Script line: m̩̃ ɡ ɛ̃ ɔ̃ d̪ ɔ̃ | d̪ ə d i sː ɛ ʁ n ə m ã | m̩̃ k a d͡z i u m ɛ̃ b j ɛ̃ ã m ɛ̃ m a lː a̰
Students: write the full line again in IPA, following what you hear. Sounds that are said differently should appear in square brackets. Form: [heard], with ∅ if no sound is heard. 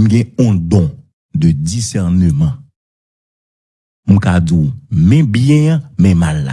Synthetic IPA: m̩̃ ɡ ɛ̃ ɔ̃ d̪ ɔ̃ | d̪ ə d i [s] ɛ ʁ n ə m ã | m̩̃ k a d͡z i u m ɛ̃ b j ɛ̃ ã m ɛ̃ m a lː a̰